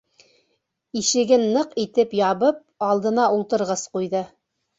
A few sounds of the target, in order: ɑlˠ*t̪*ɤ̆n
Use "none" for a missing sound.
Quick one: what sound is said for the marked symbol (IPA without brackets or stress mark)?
d̪